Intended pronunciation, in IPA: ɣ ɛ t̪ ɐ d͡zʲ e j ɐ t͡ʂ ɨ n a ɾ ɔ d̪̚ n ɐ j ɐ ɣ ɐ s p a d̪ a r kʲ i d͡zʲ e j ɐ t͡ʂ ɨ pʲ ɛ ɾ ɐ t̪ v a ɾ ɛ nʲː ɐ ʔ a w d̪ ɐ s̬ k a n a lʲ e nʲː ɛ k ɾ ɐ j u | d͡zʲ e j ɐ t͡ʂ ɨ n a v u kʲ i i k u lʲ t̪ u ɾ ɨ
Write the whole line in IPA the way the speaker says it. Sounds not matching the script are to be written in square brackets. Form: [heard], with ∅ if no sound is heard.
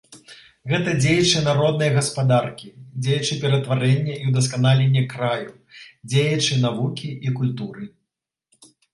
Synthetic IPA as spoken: ɣ ɛ t̪ ɐ d͡zʲ e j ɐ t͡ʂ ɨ n a ɾ ɔ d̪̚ n ɐ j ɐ ɣ ɐ s p a d̪ a r kʲ i d͡zʲ e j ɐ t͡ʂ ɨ pʲ ɛ ɾ ɐ t̪ v a ɾ ɛ nʲː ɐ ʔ [i] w d̪ ɐ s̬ k a n a lʲ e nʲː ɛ k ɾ [a] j u | d͡zʲ e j ɐ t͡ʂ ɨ n a v u kʲ i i k u lʲ t̪ u ɾ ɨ

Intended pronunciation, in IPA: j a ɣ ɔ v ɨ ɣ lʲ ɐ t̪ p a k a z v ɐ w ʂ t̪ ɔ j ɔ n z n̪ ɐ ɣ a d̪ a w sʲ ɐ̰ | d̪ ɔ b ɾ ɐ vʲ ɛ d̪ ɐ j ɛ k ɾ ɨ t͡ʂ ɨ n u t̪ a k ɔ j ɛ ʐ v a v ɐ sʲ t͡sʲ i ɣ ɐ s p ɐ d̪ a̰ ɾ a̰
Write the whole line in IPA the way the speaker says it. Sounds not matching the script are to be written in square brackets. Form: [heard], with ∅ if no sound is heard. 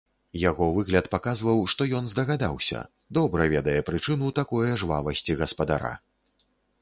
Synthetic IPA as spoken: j a ɣ ɔ v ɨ ɣ lʲ ɐ t̪ p a k a z v ɐ w ʂ t̪ ɔ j ɔ n z [d̪] ɐ ɣ a d̪ a w sʲ ɐ̰ | d̪ ɔ b ɾ ɐ vʲ ɛ d̪ ɐ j ɛ [p] ɾ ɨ t͡ʂ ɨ n u t̪ a k ɔ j ɛ ʐ v a v ɐ sʲ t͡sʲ i ɣ ɐ s p ɐ d̪ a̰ ɾ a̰

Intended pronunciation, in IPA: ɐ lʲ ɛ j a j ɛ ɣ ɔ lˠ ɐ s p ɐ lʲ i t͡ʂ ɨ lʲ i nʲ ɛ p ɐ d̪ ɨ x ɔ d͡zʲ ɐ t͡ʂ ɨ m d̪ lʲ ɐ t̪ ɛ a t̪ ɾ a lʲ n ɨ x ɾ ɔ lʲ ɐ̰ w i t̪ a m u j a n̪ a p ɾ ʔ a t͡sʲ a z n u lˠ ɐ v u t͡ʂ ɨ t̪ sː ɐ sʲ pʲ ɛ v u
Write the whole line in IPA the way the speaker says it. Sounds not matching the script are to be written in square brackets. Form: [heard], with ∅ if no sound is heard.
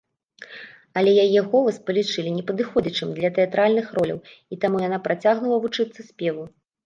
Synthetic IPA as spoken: ɐ lʲ ɛ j a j ɛ ɣ ɔ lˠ ɐ s p ɐ lʲ i t͡ʂ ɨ lʲ i nʲ ɛ p ɐ d̪ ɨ x ɔ d͡zʲ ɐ t͡ʂ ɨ m d̪ lʲ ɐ t̪ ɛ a t̪ ɾ a lʲ n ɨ x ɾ ɔ lʲ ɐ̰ w i t̪ a m u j a n̪ a p ɾ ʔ a t͡sʲ a [ɣ] n u lˠ ɐ v u t͡ʂ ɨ t̪ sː ɐ sʲ pʲ ɛ v u

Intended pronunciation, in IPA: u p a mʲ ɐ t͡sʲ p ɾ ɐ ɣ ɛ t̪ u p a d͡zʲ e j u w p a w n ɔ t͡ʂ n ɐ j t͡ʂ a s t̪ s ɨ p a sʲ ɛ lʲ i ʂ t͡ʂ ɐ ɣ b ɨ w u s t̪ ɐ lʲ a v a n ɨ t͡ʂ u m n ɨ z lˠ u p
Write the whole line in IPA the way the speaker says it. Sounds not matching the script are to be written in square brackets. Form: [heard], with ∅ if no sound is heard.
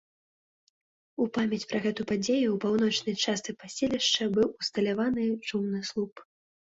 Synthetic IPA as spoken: u p a mʲ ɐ t͡sʲ p ɾ ɐ ɣ ɛ t̪ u p a d͡zʲ e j u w p a w n ɔ t͡ʂ n ɐ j t͡ʂ a s t̪ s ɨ p a sʲ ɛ lʲ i ʂ t͡ʂ ɐ [∅] b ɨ w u s t̪ ɐ lʲ a v a n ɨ t͡ʂ u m n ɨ [s] lˠ u p

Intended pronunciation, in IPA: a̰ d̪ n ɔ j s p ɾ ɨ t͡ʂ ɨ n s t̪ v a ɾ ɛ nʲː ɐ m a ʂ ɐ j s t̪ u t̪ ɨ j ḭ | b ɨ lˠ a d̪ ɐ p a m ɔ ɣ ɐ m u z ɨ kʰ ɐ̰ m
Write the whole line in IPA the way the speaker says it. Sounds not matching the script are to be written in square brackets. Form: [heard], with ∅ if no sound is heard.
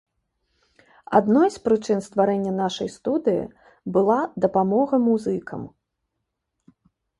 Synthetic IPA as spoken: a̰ d̪ n ɔ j s p ɾ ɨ t͡ʂ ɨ n s t̪ v a ɾ ɛ nʲː ɐ [n] a ʂ ɐ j s t̪ u [d̪] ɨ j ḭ | b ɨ lˠ a d̪ ɐ p a m ɔ ɣ ɐ m u z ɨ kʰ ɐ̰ m

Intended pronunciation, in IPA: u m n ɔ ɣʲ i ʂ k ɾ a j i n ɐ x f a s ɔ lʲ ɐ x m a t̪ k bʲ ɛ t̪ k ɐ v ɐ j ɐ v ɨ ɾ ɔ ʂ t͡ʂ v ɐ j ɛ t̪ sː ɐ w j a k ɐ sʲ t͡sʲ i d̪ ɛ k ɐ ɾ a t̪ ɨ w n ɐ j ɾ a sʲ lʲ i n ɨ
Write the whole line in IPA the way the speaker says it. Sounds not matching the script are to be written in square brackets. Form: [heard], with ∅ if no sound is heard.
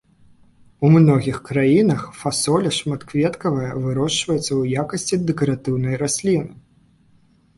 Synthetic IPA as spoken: u m n ɔ ɣʲ i [x] k ɾ a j i n ɐ x f a s ɔ lʲ ɐ [ʂ] m a t̪ k [vʲ] ɛ t̪ k ɐ v ɐ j ɐ v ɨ ɾ ɔ ʂ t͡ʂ v ɐ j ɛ t̪ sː ɐ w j a k ɐ sʲ t͡sʲ i d̪ ɛ k ɐ ɾ a t̪ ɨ w n ɐ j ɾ a sʲ lʲ i n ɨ

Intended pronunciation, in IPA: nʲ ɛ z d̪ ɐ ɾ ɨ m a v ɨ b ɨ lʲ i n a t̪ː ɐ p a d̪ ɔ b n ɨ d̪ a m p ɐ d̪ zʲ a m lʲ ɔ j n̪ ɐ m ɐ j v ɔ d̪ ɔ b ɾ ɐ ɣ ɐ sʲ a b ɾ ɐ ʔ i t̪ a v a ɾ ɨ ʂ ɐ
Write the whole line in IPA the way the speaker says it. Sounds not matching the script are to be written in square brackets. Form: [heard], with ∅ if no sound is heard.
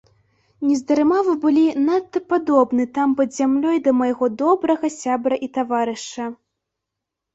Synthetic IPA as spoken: nʲ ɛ z d̪ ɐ ɾ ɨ m a v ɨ b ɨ lʲ i n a t̪ː ɐ p a d̪ ɔ b n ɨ [t̪] a m p ɐ d̪ zʲ a m lʲ ɔ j [d̪] ɐ m ɐ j [ɣ] ɔ d̪ ɔ b ɾ ɐ ɣ ɐ sʲ a b ɾ ɐ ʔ i t̪ a v a ɾ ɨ ʂ ɐ

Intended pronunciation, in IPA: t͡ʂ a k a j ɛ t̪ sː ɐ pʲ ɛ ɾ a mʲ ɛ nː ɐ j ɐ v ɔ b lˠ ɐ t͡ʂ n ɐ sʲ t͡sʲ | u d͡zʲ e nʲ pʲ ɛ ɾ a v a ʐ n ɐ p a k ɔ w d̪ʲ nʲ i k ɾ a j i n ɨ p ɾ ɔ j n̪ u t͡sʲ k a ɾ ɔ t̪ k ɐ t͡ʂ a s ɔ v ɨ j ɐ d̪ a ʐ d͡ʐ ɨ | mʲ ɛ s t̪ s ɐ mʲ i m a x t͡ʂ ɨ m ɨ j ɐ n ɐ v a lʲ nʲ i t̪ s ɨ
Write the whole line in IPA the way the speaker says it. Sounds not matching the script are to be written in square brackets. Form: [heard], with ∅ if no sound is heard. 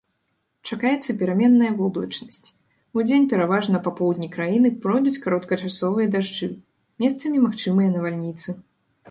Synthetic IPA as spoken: t͡ʂ a k a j ɛ t̪ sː ɐ pʲ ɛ ɾ a mʲ ɛ nː ɐ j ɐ v ɔ b lˠ ɐ t͡ʂ n ɐ sʲ t͡sʲ | u d͡zʲ e nʲ pʲ ɛ ɾ a v a ʐ n ɐ p a [p] ɔ w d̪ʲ nʲ i k ɾ a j i n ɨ p ɾ ɔ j [d̪] u t͡sʲ k a ɾ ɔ t̪ k ɐ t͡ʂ a s ɔ v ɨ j ɐ d̪ a ʐ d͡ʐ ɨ | mʲ ɛ s t̪ s ɐ mʲ i m a x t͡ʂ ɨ m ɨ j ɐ n ɐ v a lʲ nʲ i t̪ s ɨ

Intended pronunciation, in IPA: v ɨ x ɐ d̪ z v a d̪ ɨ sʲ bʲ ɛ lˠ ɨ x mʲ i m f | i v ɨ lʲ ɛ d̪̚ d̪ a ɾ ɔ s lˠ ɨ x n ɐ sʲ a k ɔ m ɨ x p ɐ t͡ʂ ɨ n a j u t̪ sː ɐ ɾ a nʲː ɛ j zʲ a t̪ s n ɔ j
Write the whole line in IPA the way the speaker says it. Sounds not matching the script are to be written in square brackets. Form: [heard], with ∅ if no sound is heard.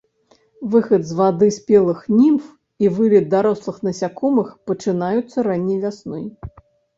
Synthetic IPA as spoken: v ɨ x ɐ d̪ z v a d̪ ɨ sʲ [pʲ] ɛ lˠ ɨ x [nʲ] i m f | i v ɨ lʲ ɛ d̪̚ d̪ a ɾ ɔ s lˠ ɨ x n ɐ sʲ a k ɔ m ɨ x p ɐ t͡ʂ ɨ n a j u t̪ sː ɐ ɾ a nʲː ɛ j [vʲ] a [∅] s n ɔ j

